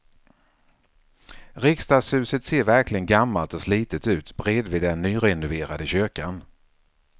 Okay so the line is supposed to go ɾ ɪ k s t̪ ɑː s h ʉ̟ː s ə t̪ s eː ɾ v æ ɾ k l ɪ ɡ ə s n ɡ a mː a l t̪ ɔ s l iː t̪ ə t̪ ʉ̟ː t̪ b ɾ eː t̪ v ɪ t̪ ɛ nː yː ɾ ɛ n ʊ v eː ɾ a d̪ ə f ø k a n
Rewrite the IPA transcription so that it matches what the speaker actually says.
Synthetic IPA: ɾ ɪ k s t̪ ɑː s h ʉ̟ː s ə t̪ s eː ɾ v æ ɾ k l ɪ ɡ ə n ɡ a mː a l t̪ ɔ s l iː t̪ ə t̪ ʉ̟ː t̪ b ɾ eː d̪ v ɪ d̪ ɛ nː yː ɾ ɛ n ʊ v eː ɾ a d̪ ə ɕ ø k a n